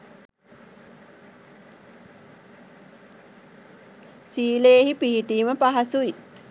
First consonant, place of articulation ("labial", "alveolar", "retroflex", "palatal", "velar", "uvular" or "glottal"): alveolar